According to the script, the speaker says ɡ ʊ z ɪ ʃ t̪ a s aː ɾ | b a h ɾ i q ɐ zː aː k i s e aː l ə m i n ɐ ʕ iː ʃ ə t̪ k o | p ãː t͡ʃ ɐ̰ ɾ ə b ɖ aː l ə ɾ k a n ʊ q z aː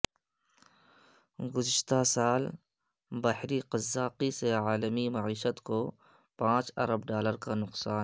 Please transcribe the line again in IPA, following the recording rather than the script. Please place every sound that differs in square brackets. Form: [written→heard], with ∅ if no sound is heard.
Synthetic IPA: ɡ ʊ z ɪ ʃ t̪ a s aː [ɾ→l] | b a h ɾ i q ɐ zː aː [k→q] i s e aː l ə m i [n→m] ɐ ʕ iː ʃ ə t̪ k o | p ãː t͡ʃ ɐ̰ ɾ ə b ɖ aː l ə ɾ k a n ʊ q [z→s] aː